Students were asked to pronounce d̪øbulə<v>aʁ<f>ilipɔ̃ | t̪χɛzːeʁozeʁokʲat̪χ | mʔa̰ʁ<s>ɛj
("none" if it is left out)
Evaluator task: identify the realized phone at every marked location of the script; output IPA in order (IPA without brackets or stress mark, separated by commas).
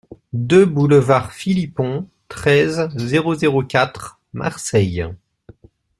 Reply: v, f, s